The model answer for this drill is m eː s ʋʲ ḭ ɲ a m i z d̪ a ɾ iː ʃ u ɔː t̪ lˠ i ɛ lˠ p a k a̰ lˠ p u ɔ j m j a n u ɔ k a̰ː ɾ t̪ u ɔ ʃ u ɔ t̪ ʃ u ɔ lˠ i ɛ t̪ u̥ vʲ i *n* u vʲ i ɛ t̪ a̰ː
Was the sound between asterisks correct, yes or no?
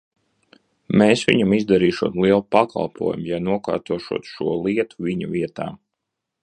no